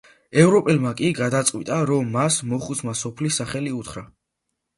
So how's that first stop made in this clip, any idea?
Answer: ejective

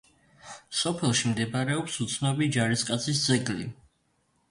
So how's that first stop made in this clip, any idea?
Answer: aspirated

